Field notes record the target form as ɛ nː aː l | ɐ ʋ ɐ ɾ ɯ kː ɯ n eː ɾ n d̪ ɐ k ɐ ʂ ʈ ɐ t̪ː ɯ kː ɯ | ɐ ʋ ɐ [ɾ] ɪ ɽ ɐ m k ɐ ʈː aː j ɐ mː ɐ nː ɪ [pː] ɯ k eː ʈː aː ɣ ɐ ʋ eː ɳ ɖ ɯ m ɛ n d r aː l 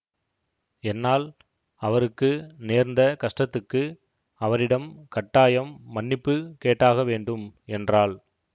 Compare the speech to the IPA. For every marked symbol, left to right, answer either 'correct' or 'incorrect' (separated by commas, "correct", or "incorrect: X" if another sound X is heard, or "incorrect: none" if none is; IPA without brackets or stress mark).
correct, correct